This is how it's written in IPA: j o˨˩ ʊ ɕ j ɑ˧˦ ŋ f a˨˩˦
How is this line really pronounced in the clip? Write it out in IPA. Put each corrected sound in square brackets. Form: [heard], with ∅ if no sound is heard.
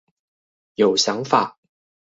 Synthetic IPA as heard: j o˨˩ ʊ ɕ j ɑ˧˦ ŋ f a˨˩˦

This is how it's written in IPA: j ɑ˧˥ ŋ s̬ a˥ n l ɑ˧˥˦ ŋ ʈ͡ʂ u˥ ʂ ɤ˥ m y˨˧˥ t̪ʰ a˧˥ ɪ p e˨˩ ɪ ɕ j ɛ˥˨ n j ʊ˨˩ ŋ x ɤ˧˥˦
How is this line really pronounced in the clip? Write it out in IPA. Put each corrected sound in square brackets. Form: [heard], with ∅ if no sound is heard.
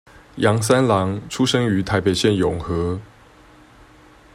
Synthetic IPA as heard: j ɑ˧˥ ŋ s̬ a˥ n l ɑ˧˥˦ ŋ [ʈ͡ʂʰ] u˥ ʂ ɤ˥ [ŋ] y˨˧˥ t̪ʰ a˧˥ ɪ p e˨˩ ɪ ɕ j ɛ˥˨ n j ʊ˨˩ ŋ x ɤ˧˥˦

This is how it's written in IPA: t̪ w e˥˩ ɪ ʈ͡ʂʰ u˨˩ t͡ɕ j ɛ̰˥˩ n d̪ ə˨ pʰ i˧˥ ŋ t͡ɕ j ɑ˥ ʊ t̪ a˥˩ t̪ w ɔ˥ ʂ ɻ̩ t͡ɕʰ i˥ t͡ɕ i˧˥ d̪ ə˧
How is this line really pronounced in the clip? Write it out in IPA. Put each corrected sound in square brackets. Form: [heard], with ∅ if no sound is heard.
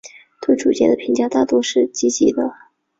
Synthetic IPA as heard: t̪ w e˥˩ ɪ [ʈ͡ʂ] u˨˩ t͡ɕ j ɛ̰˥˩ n d̪ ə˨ pʰ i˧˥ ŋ t͡ɕ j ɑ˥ ʊ t̪ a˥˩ t̪ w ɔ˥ ʂ ɻ̩ [t͡ɕ] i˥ t͡ɕ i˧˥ d̪ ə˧

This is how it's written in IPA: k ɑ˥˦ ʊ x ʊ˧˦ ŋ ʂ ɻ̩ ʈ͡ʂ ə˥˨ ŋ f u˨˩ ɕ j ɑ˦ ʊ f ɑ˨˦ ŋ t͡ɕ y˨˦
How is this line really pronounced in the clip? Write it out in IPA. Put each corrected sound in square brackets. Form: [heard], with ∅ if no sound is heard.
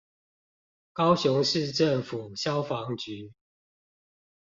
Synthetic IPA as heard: k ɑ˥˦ ʊ [ɕ] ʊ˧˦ ŋ ʂ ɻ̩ ʈ͡ʂ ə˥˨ ŋ f u˨˩ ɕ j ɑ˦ ʊ f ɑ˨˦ ŋ t͡ɕ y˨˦

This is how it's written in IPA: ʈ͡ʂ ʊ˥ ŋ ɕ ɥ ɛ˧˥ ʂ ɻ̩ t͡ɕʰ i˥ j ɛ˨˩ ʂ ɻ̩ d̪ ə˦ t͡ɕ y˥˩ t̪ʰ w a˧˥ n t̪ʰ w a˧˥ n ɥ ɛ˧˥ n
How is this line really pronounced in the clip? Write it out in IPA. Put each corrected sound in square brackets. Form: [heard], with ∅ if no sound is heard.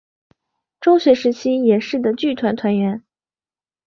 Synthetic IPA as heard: ʈ͡ʂ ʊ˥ ŋ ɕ ɥ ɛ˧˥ ʂ ɻ̩ t͡ɕʰ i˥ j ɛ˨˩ ʂ ɻ̩ d̪ [ə˩] t͡ɕ y˥˩ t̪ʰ w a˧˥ n t̪ʰ w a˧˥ n ɥ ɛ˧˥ n

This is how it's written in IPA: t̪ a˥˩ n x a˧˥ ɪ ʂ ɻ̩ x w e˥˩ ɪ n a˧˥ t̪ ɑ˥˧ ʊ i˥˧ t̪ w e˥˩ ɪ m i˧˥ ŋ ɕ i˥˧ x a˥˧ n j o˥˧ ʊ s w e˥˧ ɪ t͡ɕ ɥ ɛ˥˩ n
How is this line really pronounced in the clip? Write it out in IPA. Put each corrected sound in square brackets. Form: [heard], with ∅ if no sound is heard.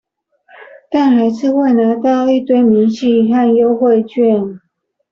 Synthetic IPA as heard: t̪ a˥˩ n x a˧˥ ɪ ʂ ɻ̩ x w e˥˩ ɪ n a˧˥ t̪ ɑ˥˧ ʊ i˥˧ t̪ w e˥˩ ɪ m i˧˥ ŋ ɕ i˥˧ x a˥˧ n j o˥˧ ʊ [x] w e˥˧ ɪ t͡ɕ ɥ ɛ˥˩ n

